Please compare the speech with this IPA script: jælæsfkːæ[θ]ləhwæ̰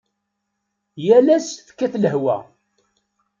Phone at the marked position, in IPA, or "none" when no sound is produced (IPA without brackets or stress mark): θ